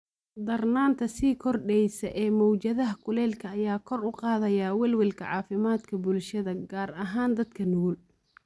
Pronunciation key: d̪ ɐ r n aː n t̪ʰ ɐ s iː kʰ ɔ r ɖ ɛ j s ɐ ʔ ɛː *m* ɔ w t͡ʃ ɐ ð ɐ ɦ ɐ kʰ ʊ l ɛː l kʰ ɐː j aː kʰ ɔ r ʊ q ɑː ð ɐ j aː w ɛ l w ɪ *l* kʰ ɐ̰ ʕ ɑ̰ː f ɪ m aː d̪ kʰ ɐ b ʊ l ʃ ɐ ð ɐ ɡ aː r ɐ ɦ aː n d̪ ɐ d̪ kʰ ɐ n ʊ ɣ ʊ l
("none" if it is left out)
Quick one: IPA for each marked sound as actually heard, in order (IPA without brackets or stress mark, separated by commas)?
m, l